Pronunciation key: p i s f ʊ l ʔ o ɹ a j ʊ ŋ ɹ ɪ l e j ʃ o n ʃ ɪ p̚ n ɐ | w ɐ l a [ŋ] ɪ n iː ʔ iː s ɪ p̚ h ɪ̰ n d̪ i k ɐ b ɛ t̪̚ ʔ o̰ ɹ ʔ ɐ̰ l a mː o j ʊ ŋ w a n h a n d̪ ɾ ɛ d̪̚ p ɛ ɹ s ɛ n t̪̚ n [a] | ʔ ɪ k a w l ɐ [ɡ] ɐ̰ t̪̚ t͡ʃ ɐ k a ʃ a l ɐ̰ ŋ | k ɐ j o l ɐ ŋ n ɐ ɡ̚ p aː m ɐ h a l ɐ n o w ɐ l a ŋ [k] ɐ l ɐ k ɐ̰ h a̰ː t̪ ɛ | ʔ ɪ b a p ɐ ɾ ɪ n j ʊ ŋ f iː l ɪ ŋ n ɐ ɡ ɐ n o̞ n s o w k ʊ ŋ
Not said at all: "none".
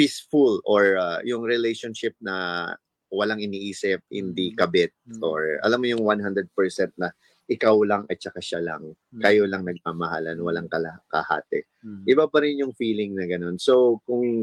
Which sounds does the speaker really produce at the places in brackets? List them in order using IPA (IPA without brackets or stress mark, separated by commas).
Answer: ŋ, ɐ, ŋ, k